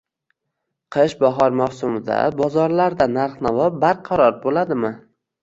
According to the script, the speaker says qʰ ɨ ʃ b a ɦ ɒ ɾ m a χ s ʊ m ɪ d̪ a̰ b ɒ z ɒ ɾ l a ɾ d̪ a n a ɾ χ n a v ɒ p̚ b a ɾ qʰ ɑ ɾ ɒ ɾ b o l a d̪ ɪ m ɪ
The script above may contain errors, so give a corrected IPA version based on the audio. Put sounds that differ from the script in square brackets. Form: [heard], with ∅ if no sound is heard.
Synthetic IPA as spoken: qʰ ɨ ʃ b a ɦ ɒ ɾ m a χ s ʊ m ɪ d̪ a̰ b ɒ z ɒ ɾ l a ɾ d̪ a n a ɾ χ n a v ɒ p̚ b a ɾ qʰ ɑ ɾ ɒ ɾ b o l a d̪ ɪ m ɪ